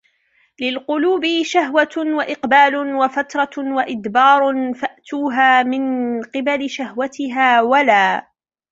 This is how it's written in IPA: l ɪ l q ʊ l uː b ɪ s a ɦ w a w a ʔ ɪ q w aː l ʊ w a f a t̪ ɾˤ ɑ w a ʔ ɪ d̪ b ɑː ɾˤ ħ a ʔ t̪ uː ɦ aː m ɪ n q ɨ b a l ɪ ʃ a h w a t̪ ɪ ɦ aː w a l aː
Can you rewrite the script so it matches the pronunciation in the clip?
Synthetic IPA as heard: l ɪ l q ʊ l uː b ɪ ʃ a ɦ w a w a ʔ ɪ q b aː l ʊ w a f a t̪ ɾˤ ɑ w a ʔ ɪ d̪ b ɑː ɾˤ f a ʔ t̪ uː ɦ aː m ɪ n q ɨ b a l ɪ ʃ a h w a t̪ ɪ ɦ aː w a l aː

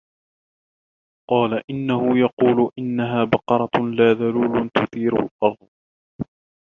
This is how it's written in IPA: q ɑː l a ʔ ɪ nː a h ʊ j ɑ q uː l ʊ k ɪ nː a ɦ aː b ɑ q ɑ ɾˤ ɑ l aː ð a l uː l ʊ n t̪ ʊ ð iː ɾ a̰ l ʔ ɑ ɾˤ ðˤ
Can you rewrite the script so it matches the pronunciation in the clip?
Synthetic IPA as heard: q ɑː l a ʔ ɪ nː a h ʊ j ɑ q uː l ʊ ʔ ɪ nː a ɦ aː b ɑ q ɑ ɾˤ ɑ l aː ð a l uː l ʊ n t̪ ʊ θ iː ɾ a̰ l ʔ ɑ ɾˤ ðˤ

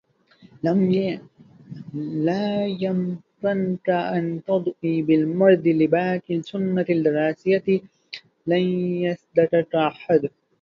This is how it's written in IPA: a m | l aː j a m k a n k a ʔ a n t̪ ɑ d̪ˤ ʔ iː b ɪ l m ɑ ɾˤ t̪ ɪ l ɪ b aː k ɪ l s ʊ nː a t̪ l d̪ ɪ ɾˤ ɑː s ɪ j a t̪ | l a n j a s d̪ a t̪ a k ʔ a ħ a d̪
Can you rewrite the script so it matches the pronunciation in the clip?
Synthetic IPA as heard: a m | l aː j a m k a n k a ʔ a n t̪ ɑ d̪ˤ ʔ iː b ɪ l m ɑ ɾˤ d̪ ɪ l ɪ b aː k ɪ l s ʊ nː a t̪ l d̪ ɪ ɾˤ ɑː s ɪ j a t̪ | l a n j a s d̪ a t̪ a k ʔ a ħ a d̪

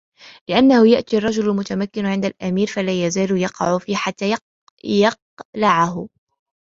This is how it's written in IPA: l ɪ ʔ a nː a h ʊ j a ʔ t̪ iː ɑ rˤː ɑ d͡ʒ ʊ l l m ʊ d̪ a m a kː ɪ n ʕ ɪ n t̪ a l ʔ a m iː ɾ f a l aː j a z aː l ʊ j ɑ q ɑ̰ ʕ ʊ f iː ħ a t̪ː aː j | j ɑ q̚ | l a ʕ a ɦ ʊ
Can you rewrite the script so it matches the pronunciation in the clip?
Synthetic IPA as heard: l ɪ ʔ a nː a h ʊ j a ʔ t̪ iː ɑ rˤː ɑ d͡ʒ ʊ l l m ʊ t̪ a m a kː ɪ n ʕ ɪ n d̪ a l ʔ a m iː ɾ f a l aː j a z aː l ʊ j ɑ q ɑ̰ ʕ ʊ f iː ħ a t̪ː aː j | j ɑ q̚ | l a ʕ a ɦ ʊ

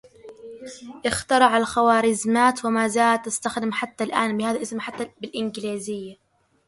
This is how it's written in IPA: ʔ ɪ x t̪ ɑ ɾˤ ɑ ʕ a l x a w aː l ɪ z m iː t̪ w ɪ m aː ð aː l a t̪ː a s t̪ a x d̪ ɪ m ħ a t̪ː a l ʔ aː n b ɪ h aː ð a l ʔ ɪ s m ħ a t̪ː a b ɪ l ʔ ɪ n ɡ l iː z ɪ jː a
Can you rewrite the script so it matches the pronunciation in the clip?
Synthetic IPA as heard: ʔ ɪ x t̪ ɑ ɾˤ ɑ ʕ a l x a w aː ɾ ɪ z m aː t̪ w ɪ m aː z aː l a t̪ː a s t̪ a x d̪ ɪ m ħ a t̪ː a l ʔ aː n b ɪ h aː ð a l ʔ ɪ s m ħ a t̪ː a b ɪ l ʔ ɪ n ɡ l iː z ɪ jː a

